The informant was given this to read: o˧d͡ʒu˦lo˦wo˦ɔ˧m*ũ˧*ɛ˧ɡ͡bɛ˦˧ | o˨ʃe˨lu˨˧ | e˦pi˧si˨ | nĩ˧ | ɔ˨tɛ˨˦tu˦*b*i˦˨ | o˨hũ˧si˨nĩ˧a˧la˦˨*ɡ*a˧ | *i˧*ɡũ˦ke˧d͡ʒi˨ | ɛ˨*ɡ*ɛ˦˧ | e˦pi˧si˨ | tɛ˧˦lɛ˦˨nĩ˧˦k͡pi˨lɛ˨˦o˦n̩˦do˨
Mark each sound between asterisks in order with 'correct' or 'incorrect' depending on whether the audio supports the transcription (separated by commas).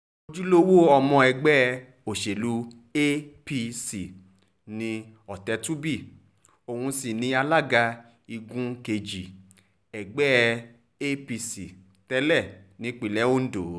incorrect, correct, correct, correct, incorrect